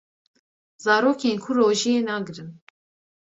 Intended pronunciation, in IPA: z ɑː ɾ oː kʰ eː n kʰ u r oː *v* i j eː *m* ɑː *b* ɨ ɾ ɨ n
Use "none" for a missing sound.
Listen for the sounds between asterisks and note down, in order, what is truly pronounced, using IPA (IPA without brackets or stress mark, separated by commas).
ʒ, n, ɡ